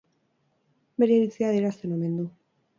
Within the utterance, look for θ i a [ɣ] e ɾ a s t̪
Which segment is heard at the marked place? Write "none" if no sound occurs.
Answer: ð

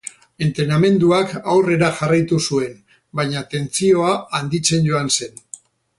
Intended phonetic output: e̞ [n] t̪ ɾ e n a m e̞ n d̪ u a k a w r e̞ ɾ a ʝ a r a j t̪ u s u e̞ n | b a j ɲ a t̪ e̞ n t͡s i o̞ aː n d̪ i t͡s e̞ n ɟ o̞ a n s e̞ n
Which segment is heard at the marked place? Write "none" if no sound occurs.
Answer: n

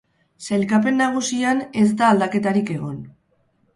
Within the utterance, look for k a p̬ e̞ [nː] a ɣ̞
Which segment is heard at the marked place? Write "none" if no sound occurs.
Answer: nː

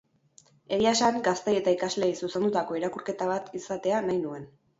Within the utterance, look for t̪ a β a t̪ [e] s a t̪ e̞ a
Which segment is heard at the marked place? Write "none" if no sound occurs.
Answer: i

